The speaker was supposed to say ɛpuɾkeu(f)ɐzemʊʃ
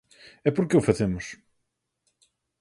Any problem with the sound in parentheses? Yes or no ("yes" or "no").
no